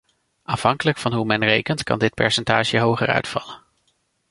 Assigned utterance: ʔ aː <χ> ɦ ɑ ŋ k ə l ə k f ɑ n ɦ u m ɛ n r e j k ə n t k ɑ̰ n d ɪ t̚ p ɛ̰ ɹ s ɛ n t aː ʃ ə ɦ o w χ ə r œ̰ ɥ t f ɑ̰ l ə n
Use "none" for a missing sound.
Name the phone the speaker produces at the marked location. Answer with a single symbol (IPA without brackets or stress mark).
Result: f